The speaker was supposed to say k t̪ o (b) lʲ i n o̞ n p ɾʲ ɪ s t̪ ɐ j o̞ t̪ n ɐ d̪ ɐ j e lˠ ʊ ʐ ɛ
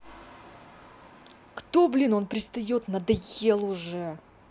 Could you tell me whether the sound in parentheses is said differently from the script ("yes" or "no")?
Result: no